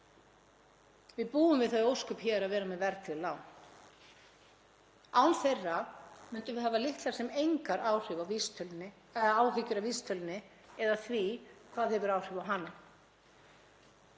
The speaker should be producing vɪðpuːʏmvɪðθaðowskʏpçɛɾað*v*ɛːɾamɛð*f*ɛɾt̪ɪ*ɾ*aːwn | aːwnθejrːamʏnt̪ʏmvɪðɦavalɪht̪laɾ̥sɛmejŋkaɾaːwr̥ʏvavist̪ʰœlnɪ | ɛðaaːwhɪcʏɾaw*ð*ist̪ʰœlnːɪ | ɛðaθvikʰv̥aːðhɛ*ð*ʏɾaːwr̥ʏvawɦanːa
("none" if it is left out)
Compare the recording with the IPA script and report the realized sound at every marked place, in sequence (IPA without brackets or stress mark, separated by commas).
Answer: v, v, l, v, v